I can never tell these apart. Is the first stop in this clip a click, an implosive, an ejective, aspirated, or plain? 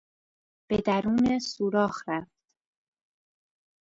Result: plain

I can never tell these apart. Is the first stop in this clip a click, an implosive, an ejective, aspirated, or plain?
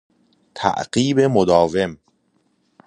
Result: aspirated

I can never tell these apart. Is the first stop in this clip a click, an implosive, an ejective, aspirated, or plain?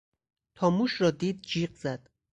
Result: aspirated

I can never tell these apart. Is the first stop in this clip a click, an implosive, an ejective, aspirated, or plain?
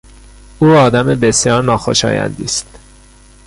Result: plain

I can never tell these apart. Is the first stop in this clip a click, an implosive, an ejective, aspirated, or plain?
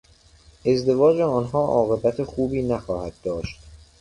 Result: plain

